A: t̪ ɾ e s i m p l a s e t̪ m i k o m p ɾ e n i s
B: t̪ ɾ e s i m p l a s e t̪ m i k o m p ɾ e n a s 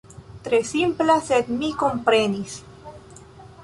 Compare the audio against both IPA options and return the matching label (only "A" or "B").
A